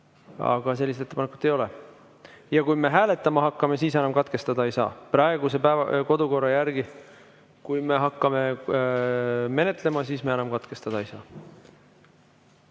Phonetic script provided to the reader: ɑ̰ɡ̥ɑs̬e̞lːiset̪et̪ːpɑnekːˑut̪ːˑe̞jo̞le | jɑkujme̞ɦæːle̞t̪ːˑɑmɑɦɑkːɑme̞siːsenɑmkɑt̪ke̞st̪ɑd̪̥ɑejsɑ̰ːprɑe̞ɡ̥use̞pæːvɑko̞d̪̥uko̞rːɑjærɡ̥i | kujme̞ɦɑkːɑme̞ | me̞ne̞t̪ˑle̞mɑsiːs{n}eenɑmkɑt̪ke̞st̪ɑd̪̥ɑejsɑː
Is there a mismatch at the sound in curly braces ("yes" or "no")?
yes